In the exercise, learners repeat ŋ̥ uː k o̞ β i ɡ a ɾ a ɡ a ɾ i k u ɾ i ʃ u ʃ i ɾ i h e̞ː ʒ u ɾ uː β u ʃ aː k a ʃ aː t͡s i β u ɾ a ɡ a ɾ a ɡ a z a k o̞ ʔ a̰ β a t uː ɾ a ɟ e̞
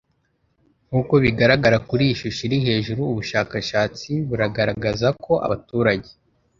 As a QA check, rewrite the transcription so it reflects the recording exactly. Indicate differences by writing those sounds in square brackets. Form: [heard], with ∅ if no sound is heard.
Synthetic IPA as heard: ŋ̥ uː k o̞ β i ɡ a ɾ a ɡ a ɾ [a] k u ɾ i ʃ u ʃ i ɾ i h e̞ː ʒ u ɾ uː β u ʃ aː k a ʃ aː t͡s i β u ɾ a ɡ a ɾ a ɡ a z a k o̞ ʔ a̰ β a t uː ɾ a ɟ e̞